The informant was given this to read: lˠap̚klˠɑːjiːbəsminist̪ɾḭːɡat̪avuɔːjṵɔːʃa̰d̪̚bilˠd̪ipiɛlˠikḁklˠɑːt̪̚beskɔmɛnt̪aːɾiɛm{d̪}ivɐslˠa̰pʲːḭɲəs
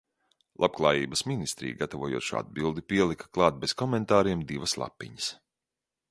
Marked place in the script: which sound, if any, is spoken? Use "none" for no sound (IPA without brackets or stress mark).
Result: d̪